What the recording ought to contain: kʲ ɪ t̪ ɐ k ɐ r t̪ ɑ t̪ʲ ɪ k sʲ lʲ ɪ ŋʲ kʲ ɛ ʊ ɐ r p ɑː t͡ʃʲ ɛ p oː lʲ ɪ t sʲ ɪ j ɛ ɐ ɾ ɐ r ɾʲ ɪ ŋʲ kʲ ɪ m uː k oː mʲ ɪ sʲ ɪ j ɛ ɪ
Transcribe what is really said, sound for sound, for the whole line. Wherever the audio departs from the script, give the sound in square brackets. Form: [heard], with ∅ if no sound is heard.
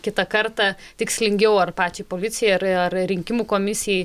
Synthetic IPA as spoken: kʲ ɪ t̪ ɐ k ɐ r t̪ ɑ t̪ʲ ɪ k sʲ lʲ ɪ ŋʲ [ɡʲ] ɛ ʊ ɐ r p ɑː t͡ʃʲ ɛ p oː lʲ ɪ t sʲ ɪ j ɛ ɐ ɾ ɐ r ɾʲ ɪ ŋʲ kʲ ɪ m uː k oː mʲ ɪ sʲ ɪ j ɛ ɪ